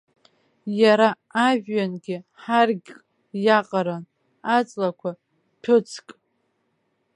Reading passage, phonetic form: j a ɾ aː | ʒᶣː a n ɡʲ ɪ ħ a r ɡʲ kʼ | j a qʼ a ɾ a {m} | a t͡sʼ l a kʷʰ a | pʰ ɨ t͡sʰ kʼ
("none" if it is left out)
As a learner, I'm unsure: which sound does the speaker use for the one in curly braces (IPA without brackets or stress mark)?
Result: n